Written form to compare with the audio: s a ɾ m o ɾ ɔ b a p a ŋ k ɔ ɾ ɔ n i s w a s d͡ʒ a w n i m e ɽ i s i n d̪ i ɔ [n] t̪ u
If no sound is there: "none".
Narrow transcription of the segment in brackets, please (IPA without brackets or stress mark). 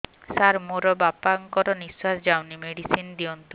n